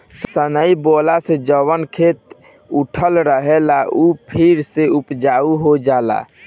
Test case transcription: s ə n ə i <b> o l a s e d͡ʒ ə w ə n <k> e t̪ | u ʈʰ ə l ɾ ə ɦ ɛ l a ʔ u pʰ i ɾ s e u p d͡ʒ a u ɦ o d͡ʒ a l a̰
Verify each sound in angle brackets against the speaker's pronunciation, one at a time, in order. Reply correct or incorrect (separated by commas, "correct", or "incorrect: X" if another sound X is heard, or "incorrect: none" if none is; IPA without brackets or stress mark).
correct, incorrect: kʰ